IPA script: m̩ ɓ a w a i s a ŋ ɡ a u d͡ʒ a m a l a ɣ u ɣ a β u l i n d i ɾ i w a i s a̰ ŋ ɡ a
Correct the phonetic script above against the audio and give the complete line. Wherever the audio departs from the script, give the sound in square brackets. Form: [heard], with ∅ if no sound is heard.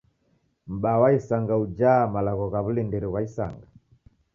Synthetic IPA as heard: m̩ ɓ a w a i s a ŋ ɡ a u d͡ʒ a m a l a ɣ [ɔ] ɣ a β u l i n d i ɾ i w a i s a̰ ŋ ɡ a